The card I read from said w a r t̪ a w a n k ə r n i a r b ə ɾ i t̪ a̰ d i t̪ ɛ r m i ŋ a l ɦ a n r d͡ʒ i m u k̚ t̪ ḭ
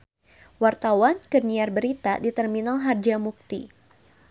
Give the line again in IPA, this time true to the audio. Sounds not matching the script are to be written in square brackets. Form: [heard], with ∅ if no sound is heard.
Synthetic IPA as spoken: w a r t̪ a w a n k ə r n i a r b ə ɾ i t̪ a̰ d i t̪ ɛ r m i [n] a l ɦ a [∅] r d͡ʒ [a] m u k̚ t̪ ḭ